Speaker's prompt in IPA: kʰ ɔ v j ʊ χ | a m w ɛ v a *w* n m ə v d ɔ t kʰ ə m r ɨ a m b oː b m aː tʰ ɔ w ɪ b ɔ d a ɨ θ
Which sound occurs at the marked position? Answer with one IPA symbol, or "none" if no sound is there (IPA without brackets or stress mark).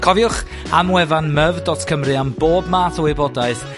none